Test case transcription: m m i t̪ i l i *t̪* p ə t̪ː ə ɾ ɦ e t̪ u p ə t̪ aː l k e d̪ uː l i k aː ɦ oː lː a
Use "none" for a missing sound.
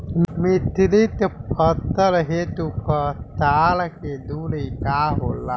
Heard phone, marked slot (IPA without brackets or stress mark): t̪